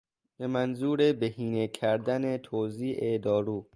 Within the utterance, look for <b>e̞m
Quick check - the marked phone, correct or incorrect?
correct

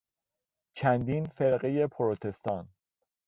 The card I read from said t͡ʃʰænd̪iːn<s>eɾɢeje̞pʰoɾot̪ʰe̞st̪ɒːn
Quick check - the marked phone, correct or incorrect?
incorrect: f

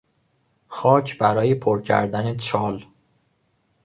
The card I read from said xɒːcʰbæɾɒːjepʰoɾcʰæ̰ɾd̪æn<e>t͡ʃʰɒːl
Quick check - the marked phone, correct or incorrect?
correct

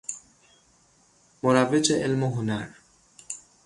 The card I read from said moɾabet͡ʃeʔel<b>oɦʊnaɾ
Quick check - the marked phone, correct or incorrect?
incorrect: m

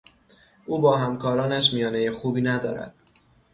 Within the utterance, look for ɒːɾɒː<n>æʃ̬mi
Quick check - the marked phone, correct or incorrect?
correct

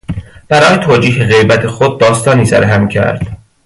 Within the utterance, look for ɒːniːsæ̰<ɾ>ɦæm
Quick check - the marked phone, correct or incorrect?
correct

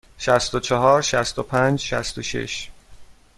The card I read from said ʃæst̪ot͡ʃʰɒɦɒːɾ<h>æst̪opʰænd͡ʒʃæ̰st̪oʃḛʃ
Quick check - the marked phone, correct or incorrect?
incorrect: ʃ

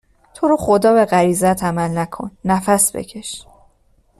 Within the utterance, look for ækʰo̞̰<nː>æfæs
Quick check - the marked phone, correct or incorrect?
correct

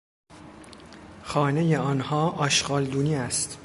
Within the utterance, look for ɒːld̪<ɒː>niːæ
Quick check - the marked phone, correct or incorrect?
incorrect: uː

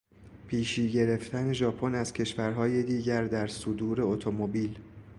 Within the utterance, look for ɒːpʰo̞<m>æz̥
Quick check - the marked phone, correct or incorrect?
incorrect: n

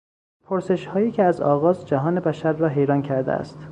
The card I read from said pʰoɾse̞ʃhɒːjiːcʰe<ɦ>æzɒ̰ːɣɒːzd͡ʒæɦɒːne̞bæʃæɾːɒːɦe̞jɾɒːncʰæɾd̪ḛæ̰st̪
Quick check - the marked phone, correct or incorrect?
incorrect: none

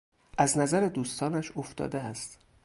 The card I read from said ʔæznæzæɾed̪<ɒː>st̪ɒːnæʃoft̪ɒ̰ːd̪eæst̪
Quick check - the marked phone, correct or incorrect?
incorrect: uː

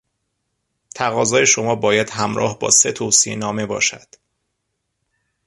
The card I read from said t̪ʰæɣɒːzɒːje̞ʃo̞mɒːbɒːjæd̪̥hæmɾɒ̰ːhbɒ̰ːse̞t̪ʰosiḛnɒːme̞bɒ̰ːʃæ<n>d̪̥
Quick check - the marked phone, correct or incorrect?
incorrect: none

